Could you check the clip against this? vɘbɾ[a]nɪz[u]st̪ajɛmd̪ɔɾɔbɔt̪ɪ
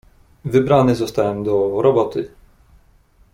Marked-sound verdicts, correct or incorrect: correct, incorrect

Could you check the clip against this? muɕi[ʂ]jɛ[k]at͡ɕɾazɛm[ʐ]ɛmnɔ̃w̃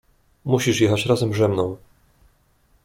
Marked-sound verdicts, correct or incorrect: correct, incorrect, correct

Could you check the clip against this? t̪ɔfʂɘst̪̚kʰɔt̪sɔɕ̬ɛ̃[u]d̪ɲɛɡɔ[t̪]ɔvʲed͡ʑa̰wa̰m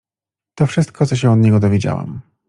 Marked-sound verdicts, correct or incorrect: incorrect, incorrect

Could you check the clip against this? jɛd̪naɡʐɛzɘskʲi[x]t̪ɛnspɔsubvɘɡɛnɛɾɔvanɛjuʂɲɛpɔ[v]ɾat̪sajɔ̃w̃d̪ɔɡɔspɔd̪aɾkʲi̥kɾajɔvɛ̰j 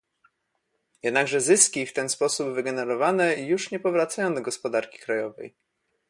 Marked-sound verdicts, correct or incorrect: incorrect, correct

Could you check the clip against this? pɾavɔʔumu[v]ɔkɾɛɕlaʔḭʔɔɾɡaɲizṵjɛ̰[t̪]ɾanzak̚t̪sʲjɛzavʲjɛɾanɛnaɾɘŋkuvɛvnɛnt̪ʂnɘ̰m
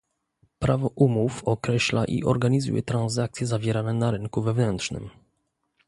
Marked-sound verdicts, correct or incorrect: incorrect, correct

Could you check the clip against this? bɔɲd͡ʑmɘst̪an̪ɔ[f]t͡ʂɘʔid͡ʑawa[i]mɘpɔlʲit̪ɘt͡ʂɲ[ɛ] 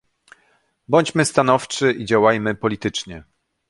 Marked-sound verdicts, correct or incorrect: correct, incorrect, correct

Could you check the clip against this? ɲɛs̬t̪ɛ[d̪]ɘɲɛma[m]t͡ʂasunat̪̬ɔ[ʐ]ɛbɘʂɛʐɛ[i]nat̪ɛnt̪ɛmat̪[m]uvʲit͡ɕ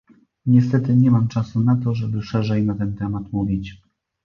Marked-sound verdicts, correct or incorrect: incorrect, correct, correct, incorrect, correct

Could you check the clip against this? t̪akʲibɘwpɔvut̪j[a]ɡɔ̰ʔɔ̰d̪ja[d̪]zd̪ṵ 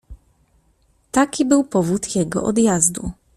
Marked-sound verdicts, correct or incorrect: incorrect, incorrect

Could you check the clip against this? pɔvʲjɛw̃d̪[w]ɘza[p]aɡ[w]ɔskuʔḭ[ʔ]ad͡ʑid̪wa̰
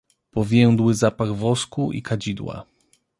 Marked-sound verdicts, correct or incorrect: correct, correct, incorrect, incorrect

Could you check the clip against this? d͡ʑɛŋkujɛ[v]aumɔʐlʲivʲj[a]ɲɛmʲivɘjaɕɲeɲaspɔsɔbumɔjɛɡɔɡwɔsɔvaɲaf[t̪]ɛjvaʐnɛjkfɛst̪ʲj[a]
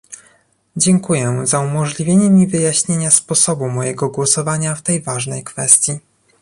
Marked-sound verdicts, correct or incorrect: incorrect, incorrect, correct, incorrect

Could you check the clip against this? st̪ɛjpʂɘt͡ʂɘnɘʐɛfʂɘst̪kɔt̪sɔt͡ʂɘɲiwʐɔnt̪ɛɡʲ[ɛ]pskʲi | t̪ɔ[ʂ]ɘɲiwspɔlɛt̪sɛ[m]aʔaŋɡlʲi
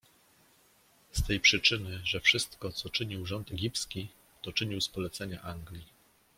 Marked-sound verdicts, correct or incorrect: incorrect, incorrect, incorrect

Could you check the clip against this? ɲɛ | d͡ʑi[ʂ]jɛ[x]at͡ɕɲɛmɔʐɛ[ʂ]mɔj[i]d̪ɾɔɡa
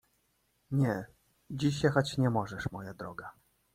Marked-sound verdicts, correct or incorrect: incorrect, correct, correct, incorrect

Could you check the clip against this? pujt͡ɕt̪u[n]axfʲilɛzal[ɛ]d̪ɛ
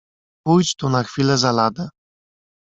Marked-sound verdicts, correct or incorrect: correct, incorrect

